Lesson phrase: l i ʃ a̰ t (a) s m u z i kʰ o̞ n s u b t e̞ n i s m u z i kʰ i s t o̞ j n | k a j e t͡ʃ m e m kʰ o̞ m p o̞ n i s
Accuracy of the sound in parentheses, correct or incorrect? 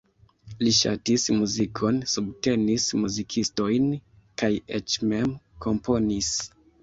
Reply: incorrect